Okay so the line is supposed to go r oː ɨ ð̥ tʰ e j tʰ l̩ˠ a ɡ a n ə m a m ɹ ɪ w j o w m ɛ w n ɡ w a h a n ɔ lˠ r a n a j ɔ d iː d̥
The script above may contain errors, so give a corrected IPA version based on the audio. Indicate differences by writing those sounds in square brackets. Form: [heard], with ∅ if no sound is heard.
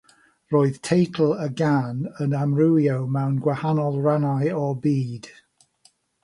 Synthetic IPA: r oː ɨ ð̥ tʰ e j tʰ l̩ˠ [ə] ɡ a n ə [n] a m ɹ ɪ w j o w m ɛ w n ɡ w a h a n ɔ lˠ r a n a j ɔ [b] iː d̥